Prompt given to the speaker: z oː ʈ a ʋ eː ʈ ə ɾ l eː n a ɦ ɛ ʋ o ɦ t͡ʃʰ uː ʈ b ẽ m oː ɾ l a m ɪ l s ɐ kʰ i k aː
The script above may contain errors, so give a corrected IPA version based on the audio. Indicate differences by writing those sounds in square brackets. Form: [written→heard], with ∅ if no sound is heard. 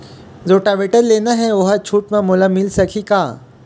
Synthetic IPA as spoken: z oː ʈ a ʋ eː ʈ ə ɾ l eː n a ɦ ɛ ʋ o ɦ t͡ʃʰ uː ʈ [b→m] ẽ m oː [ɾ→∅] l a m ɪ l s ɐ kʰ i k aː